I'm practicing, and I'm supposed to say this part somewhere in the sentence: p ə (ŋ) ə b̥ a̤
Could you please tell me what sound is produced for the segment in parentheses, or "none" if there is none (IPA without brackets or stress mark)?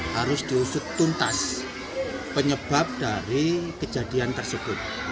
ɲ